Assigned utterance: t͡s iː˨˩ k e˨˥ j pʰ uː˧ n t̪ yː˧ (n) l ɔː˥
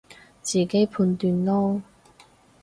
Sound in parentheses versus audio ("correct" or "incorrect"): correct